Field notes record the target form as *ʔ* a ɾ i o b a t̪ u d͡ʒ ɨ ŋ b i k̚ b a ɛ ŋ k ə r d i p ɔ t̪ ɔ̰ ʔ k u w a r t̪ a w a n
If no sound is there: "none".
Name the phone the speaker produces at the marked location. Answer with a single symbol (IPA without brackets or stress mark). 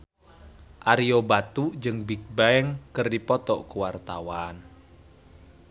ʔ